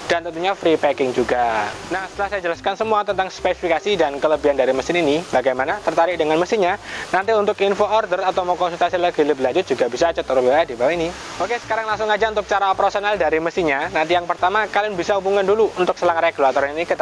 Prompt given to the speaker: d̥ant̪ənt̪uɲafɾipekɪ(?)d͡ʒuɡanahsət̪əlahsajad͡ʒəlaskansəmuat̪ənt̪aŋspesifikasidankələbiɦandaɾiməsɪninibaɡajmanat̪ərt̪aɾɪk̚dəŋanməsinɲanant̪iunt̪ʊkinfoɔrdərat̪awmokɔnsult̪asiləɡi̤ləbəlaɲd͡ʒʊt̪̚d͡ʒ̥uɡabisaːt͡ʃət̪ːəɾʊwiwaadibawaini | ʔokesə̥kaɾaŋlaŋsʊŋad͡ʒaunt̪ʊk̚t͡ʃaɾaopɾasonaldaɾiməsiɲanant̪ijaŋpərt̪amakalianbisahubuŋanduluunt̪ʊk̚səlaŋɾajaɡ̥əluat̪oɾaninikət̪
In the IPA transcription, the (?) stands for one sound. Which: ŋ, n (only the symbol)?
ŋ